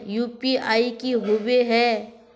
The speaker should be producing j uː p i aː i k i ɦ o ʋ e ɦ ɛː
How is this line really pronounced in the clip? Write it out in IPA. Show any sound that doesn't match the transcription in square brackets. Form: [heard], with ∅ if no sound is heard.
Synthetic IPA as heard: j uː p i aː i k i ɦ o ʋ e ɦ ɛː